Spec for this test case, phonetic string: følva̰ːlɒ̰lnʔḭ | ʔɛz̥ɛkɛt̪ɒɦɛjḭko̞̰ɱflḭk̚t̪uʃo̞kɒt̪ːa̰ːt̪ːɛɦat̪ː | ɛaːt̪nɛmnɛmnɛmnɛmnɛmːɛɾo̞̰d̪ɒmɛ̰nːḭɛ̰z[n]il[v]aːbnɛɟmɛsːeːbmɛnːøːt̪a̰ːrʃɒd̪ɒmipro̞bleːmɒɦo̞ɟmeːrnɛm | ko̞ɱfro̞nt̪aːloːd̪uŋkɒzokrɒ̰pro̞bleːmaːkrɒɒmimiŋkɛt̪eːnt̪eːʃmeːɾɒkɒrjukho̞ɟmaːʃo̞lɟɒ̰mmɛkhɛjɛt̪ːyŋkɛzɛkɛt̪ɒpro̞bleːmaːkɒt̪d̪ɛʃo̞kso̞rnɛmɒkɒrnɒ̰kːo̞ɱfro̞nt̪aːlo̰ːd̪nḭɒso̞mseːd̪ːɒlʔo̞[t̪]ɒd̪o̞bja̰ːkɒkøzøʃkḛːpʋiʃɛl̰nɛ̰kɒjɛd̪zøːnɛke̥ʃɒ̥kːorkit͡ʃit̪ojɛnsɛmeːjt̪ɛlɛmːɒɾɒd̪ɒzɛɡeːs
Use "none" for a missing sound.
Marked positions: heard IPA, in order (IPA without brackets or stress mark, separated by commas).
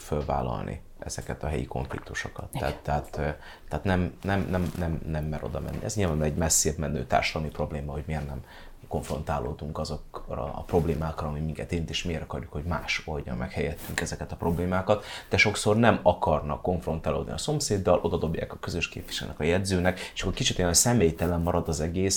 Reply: ɲ, v, d̪